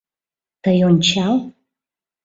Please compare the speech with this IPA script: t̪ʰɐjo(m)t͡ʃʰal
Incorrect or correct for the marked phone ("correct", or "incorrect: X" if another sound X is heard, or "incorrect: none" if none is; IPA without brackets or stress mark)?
incorrect: n